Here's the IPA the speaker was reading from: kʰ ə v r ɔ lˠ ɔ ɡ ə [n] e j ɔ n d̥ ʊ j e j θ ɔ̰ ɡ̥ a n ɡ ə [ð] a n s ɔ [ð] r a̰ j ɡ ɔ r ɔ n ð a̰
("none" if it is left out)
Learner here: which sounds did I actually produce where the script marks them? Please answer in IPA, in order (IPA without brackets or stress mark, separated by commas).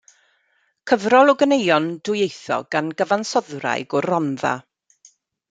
n, v, ð